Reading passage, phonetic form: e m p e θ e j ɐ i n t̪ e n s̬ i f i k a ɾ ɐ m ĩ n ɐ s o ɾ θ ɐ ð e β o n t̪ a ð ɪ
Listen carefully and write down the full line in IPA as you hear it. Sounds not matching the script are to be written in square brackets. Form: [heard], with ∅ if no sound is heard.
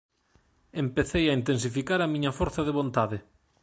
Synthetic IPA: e m p e θ e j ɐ i n t̪ e n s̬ i f i k a ɾ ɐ m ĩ [ɲ] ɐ [f] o ɾ θ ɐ ð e β o n t̪ a ð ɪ